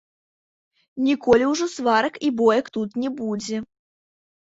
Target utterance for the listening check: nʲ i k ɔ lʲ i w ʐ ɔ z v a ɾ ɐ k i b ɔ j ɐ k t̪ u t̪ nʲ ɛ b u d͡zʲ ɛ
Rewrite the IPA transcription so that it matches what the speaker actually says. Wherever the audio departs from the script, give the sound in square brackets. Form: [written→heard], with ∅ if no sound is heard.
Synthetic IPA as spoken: nʲ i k ɔ lʲ i w ʐ ɔ [z→s] v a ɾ ɐ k i b ɔ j ɐ k t̪ u t̪ nʲ ɛ b u d͡zʲ ɛ

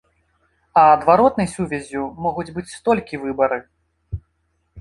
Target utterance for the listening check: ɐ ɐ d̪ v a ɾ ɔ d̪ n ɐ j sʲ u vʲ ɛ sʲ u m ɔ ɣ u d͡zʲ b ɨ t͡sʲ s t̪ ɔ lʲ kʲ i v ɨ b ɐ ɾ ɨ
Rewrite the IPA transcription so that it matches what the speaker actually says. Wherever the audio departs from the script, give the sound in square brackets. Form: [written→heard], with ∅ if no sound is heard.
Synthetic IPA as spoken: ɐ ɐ d̪ v a ɾ ɔ [d̪→t̪] n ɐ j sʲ u vʲ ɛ [sʲ→zʲ] u m ɔ ɣ u d͡zʲ b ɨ t͡sʲ s t̪ ɔ lʲ kʲ i v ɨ b ɐ ɾ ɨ

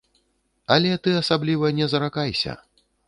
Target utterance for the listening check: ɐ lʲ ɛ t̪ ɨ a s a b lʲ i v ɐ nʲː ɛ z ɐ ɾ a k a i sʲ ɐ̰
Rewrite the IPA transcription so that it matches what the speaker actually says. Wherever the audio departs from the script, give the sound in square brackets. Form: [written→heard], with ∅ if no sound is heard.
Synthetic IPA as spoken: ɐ lʲ ɛ t̪ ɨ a s a b lʲ i v ɐ [nʲː→nʲ] ɛ z ɐ ɾ a k a [i→j] sʲ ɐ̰

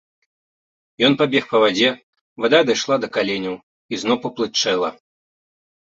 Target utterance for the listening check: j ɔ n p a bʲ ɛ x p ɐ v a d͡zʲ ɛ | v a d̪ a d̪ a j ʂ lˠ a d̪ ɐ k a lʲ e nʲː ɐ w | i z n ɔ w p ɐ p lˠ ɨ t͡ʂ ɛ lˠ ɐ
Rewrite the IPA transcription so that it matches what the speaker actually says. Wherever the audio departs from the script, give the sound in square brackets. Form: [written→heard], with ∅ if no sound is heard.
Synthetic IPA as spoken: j ɔ n p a bʲ ɛ x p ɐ v a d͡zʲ ɛ | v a d̪ a d̪ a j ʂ lˠ a d̪ ɐ k a lʲ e [nʲː→nʲ] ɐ w | i z n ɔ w p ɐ p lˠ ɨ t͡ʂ ɛ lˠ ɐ

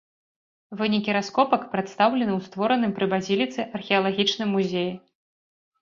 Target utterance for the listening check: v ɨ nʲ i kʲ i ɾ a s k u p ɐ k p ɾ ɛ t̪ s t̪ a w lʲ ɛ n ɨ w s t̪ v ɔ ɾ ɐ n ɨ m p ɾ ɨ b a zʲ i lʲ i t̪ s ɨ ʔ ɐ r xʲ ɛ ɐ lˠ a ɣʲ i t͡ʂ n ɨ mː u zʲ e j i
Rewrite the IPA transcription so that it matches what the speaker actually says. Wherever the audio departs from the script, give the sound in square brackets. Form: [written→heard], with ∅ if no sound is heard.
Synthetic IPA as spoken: v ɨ nʲ i kʲ i ɾ a s k [u→ɔ] p ɐ k p ɾ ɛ t̪ s t̪ a w lʲ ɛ n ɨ w s t̪ v ɔ ɾ ɐ n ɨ m p ɾ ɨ b a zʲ i lʲ i t̪ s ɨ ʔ ɐ r xʲ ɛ ɐ lˠ a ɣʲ i t͡ʂ n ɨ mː u zʲ e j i

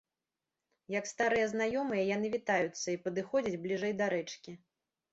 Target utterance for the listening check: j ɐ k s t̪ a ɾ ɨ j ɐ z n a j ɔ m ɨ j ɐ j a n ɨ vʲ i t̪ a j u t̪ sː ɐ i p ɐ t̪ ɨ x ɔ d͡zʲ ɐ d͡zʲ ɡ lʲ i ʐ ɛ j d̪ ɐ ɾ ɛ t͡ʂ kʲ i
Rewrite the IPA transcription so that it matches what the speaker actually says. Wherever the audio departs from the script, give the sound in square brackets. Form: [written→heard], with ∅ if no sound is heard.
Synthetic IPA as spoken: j ɐ k s t̪ a ɾ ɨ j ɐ z n a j ɔ m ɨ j ɐ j a n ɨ vʲ i t̪ a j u t̪ sː ɐ i p ɐ [t̪→d̪] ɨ x ɔ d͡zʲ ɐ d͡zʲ [ɡ→b] lʲ i ʐ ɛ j d̪ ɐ ɾ ɛ t͡ʂ kʲ i

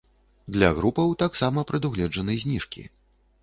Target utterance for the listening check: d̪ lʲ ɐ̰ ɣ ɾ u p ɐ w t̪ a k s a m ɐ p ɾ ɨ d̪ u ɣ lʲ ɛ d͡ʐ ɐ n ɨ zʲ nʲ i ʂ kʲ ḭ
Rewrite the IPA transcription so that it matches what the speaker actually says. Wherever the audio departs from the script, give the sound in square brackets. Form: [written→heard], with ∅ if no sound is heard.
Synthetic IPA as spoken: d̪ lʲ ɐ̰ ɣ ɾ u p ɐ w t̪ a k s a m ɐ p ɾ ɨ d̪ u ɣ lʲ ɛ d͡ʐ ɐ n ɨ zʲ nʲ i ʂ kʲ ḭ

